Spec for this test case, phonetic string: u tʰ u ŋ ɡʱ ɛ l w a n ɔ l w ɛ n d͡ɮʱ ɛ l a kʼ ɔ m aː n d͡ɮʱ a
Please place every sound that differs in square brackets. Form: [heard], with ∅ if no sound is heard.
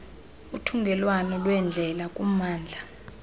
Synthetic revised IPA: u tʰ u ŋ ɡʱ ɛ l w a n ɔ l w ɛ n d͡ɮʱ ɛ l a kʼ [u] m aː n d͡ɮʱ a